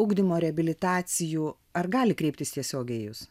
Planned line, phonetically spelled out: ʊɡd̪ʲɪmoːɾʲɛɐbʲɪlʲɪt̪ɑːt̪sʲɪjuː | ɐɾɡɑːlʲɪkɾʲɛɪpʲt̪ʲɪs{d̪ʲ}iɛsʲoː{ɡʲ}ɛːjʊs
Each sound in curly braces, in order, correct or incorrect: incorrect: t̪ʲ, correct

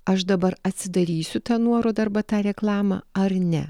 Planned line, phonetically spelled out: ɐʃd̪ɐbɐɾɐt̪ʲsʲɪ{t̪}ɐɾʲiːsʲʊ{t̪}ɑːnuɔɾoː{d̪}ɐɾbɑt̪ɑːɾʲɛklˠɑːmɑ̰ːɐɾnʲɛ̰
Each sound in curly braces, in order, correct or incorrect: incorrect: d̪, correct, correct

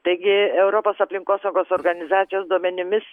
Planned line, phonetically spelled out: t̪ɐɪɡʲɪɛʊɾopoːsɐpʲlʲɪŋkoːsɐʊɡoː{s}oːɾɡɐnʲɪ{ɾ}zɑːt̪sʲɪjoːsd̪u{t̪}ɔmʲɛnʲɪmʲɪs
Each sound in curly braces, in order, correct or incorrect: correct, incorrect: none, incorrect: none

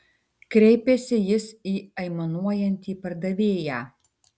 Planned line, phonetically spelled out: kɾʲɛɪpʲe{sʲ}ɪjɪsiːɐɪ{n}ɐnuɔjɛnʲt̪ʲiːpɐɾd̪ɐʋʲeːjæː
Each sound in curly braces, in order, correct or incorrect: correct, incorrect: m

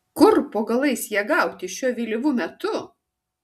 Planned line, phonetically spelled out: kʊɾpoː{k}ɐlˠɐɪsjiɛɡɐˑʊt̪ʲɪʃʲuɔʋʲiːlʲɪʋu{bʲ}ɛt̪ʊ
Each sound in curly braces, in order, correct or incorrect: incorrect: ɡ, incorrect: mʲ

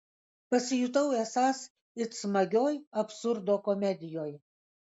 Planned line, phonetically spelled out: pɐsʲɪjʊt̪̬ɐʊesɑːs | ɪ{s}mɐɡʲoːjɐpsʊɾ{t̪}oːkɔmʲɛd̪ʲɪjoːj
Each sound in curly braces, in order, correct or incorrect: correct, incorrect: d̪

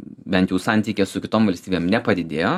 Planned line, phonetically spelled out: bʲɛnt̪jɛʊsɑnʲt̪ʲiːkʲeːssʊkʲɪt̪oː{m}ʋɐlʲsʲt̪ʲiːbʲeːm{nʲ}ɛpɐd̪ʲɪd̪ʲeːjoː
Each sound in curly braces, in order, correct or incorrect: correct, correct

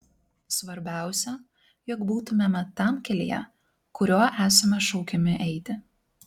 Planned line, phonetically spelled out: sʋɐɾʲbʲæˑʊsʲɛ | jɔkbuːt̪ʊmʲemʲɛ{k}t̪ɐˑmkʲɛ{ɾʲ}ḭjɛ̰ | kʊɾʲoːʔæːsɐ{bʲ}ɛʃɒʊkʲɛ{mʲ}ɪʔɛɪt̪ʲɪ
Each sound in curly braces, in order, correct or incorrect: incorrect: none, incorrect: lʲ, incorrect: mʲ, correct

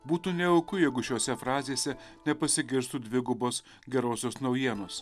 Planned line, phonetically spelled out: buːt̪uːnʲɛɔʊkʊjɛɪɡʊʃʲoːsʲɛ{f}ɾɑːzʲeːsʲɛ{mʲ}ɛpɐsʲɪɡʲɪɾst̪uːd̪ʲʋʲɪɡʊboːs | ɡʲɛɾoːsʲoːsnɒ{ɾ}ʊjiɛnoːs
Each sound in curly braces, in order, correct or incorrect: correct, incorrect: nʲ, incorrect: none

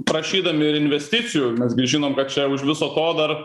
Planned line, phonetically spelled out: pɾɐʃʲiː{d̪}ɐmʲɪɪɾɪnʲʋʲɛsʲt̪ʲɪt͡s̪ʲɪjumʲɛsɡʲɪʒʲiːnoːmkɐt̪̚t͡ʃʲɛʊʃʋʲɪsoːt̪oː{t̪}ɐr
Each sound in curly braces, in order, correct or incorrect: correct, incorrect: d̪

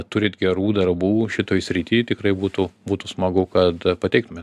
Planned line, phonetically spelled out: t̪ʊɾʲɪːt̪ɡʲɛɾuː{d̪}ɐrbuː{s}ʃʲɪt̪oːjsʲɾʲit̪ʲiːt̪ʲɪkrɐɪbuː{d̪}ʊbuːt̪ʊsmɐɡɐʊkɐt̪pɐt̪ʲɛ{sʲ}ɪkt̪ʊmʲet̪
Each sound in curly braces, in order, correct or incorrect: correct, incorrect: none, incorrect: t̪, incorrect: none

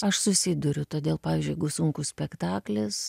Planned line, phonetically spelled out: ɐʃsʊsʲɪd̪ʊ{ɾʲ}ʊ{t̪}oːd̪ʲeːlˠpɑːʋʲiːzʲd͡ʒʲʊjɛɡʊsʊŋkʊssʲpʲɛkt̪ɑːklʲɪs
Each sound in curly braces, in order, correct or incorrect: correct, correct

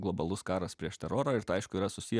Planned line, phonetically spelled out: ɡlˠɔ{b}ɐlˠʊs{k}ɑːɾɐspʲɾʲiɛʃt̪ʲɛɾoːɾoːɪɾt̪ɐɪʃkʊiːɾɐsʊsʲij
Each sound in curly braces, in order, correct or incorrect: correct, correct

